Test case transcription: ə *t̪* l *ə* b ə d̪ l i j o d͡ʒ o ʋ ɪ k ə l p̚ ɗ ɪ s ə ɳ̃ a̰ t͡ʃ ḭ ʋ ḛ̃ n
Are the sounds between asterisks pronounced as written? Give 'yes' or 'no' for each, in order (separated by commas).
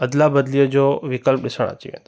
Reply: no, no